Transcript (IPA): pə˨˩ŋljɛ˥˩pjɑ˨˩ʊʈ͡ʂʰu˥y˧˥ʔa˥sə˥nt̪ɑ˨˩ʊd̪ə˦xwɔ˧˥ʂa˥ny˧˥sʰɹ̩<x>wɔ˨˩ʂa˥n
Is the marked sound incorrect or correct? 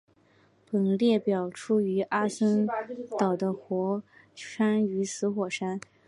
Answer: correct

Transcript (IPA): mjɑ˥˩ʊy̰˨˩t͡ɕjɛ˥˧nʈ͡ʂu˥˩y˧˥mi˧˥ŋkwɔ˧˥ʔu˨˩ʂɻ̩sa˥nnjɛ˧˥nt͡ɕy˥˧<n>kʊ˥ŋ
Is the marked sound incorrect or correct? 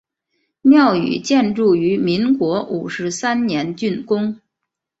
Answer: correct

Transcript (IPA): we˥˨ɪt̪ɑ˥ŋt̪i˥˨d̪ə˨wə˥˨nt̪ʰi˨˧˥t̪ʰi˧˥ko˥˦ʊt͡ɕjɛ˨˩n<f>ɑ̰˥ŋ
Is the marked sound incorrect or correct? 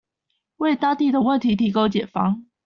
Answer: correct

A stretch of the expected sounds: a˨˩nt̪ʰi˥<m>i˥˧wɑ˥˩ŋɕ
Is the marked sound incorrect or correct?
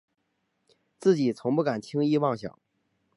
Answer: incorrect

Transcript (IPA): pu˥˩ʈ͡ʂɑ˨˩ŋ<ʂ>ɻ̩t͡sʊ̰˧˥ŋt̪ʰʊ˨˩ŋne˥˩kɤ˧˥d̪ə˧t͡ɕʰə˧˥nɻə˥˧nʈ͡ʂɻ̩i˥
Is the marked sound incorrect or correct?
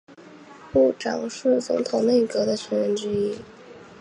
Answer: correct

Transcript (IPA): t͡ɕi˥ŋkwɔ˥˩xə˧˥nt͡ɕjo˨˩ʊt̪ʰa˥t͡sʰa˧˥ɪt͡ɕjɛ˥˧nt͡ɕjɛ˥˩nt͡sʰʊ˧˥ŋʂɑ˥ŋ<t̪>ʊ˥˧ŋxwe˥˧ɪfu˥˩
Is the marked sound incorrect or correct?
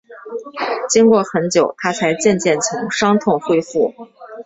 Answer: incorrect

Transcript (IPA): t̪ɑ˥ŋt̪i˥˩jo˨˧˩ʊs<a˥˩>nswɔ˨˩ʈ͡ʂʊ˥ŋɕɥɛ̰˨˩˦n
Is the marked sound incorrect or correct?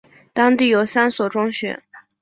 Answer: incorrect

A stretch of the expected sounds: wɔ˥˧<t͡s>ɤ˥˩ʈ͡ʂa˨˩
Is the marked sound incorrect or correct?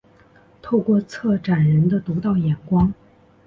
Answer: incorrect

